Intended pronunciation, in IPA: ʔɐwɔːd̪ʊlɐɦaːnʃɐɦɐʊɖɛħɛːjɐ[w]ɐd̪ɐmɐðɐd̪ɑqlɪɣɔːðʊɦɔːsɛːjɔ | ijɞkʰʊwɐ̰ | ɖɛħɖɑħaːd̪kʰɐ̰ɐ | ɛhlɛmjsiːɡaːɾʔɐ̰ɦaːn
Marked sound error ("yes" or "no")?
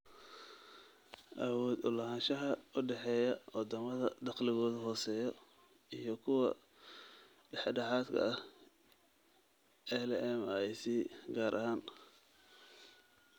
no